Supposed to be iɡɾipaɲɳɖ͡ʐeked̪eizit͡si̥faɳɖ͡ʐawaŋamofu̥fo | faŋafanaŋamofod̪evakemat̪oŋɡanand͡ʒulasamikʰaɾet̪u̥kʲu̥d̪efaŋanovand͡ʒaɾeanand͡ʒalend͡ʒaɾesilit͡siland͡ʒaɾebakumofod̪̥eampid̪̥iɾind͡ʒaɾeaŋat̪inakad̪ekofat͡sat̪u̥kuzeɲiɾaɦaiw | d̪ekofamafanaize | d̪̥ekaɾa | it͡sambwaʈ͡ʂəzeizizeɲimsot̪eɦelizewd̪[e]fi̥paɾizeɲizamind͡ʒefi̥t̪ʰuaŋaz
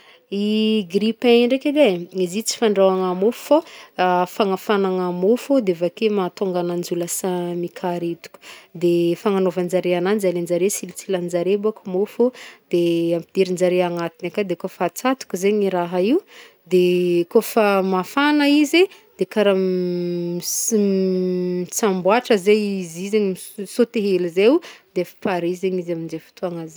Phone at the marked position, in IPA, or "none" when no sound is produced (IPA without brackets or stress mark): e